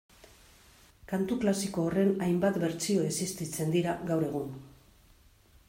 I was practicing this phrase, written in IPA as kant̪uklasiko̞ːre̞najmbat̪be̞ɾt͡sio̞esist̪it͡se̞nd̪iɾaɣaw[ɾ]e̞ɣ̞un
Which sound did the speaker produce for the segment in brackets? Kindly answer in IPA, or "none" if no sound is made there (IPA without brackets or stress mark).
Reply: ɾ